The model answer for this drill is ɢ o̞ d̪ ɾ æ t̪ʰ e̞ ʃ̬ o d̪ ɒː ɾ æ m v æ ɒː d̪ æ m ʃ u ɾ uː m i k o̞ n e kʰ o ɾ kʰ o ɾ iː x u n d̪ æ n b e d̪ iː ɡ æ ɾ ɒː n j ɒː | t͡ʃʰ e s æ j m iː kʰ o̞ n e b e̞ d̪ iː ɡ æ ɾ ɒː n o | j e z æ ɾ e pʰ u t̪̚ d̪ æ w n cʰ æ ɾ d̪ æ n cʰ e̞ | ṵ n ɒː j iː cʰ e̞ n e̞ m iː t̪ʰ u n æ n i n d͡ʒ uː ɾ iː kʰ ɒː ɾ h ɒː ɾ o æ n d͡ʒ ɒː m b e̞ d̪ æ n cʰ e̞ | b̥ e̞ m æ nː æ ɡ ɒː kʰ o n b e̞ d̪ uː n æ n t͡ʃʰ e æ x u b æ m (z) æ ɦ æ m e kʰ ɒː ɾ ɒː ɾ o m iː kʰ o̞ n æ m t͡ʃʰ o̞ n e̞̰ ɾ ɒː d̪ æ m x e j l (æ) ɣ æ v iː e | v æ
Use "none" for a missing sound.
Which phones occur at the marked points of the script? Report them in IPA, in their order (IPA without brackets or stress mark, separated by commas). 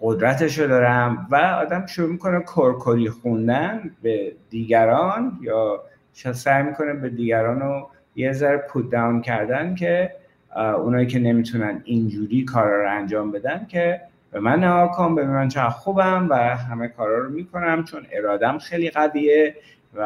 v, i